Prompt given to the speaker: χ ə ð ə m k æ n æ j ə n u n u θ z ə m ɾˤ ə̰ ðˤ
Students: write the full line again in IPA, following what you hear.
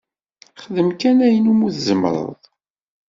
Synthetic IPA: χ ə ð ə m k æ n æ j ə n u m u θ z ə m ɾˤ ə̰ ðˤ